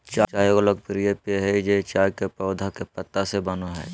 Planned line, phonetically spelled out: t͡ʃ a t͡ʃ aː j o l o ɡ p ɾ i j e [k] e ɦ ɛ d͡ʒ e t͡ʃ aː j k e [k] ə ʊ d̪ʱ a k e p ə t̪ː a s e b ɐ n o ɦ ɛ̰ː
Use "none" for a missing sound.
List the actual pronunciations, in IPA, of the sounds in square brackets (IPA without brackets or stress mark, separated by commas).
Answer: p, p